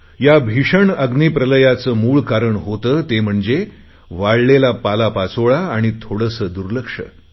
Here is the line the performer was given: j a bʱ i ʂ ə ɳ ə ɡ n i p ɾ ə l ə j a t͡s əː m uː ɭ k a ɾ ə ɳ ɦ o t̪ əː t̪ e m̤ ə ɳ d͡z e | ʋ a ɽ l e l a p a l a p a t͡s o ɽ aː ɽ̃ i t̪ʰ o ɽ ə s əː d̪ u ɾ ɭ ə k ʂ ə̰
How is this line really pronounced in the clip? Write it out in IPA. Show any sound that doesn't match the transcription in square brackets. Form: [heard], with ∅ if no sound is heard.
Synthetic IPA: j a bʱ i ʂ ə ɳ ə ɡ n i p ɾ ə l ə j a t͡s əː m uː ɭ k a ɾ ə ɳ ɦ o t̪ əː t̪ e m̤ ə ɳ d͡z e | ʋ a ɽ l e l a p a l a p a t͡s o [ɭ] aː ɽ̃ i t̪ʰ o ɽ ə s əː d̪ u ɾ [l] ə k ʂ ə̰